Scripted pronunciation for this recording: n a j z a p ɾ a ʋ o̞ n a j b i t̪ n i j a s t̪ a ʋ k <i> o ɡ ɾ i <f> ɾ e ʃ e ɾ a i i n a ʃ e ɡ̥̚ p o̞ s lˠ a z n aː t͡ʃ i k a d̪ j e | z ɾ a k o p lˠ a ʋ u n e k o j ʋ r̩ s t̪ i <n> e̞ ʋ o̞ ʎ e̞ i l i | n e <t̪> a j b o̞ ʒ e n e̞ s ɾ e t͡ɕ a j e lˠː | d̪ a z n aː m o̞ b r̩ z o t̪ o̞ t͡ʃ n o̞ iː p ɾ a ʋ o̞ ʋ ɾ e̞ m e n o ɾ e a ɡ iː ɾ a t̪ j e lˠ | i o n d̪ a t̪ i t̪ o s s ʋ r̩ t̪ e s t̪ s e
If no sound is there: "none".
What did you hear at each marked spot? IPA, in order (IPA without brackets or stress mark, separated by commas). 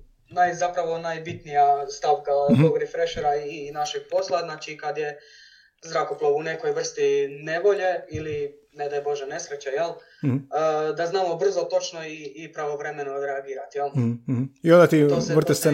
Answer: a, f, n, d̪